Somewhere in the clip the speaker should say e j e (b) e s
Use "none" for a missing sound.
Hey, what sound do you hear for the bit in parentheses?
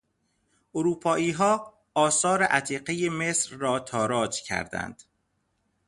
m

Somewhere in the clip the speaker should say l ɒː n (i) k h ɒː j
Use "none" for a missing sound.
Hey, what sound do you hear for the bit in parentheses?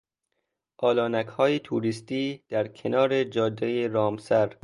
æ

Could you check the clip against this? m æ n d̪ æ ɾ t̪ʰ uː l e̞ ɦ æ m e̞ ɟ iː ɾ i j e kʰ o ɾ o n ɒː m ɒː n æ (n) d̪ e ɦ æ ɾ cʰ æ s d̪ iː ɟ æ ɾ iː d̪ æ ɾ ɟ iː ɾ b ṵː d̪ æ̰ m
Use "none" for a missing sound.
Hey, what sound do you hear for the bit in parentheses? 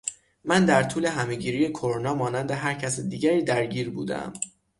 n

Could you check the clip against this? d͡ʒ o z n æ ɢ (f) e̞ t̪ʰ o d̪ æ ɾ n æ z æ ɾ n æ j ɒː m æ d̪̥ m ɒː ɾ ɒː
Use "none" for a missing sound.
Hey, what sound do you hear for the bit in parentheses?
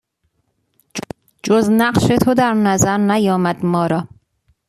ʃ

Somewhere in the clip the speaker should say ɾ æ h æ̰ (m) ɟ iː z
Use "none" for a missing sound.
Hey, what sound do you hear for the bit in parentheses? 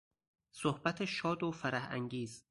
ŋ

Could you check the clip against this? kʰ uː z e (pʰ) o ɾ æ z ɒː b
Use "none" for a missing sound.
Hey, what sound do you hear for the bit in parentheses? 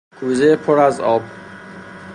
pʰ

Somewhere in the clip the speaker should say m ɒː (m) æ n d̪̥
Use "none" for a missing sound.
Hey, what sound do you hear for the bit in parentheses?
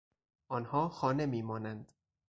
n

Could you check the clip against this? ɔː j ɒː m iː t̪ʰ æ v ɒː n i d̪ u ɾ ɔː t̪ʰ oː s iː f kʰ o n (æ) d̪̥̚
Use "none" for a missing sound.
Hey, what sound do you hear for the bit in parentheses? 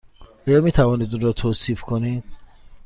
i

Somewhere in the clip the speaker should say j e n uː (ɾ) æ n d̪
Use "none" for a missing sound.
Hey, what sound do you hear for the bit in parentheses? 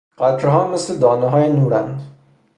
ɾ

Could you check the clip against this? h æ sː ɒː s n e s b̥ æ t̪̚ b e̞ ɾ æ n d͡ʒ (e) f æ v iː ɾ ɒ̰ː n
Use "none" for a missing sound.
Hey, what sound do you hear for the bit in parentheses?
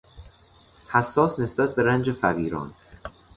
e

